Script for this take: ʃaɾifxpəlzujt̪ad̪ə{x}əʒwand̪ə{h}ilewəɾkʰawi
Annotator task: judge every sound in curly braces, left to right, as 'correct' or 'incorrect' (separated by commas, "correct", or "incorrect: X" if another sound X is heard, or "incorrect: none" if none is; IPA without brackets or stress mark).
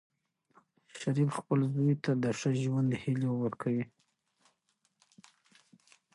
incorrect: ʂ, correct